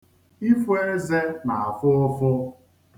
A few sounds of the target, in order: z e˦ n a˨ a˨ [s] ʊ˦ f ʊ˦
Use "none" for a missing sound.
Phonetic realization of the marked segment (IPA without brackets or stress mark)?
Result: f